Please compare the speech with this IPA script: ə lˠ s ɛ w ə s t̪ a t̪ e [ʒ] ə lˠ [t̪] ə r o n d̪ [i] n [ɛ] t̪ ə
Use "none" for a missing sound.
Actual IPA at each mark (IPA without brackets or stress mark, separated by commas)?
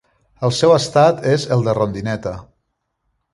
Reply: z, d̪, i, ɛ